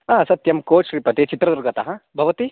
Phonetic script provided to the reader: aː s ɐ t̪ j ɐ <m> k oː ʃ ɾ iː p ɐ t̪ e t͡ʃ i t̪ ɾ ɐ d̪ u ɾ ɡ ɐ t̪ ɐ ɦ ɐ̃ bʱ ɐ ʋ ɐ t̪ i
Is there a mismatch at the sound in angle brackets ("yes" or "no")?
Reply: no